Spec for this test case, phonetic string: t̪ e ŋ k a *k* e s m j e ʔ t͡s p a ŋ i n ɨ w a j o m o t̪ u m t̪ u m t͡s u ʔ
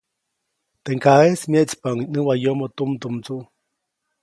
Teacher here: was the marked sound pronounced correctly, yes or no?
no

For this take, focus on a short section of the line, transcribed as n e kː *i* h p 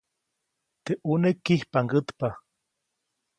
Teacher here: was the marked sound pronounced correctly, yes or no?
yes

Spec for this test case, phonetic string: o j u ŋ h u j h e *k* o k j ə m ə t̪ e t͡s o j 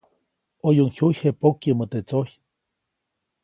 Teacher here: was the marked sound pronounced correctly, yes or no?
no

